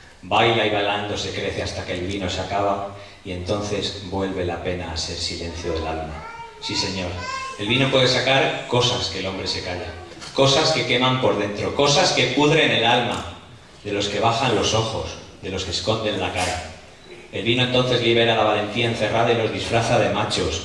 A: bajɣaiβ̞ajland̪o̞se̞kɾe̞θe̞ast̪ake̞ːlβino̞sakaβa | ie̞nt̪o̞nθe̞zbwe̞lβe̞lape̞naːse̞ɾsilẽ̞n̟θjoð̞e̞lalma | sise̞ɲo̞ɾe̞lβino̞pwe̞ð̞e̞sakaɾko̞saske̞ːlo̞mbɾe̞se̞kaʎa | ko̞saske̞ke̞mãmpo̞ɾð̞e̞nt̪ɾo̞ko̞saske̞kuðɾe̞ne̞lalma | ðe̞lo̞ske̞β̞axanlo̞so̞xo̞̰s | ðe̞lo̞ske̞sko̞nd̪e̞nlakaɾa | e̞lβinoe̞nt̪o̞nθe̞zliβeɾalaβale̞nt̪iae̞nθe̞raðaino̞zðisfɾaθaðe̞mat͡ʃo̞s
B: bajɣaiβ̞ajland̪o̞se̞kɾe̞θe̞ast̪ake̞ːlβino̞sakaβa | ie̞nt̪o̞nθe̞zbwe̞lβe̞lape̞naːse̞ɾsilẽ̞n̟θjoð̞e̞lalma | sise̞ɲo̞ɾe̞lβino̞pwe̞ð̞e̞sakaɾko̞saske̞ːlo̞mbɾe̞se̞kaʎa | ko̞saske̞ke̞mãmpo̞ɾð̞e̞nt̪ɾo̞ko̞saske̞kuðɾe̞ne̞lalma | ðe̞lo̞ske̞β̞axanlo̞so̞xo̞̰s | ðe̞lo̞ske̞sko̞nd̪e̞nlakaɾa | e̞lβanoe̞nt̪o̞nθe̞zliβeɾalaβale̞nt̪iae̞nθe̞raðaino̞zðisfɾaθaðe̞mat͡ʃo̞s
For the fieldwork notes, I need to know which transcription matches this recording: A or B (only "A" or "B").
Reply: A